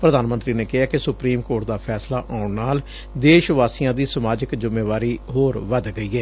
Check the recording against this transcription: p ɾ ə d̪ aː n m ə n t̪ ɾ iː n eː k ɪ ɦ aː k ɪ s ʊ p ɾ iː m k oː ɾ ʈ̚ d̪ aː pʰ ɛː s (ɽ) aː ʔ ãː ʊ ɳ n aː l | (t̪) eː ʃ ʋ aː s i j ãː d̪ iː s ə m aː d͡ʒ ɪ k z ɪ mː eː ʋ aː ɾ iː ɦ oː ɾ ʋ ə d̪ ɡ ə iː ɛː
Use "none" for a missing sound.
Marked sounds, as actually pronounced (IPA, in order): l, d̪

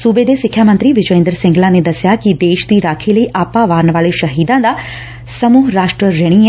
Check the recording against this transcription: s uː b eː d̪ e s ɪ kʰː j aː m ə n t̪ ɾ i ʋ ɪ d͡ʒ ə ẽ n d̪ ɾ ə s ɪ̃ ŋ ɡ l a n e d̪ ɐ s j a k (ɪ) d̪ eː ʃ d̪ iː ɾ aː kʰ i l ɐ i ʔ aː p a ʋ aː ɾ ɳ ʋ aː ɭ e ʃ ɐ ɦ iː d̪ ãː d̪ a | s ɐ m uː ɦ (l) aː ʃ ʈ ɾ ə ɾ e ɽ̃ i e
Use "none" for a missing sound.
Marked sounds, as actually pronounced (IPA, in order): i, ɾ

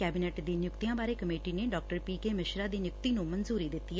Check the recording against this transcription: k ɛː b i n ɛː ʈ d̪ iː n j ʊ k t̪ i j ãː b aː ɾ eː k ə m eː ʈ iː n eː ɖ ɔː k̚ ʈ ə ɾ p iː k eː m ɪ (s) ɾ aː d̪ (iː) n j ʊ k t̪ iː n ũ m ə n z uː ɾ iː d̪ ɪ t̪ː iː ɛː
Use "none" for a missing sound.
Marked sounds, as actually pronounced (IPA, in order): ʃ, iː

